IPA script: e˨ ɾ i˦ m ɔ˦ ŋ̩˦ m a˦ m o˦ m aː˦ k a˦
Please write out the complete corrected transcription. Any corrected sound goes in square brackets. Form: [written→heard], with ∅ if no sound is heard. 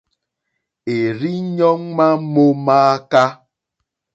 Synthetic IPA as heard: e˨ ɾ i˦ [m→ɲ] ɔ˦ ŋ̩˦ m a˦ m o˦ m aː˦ k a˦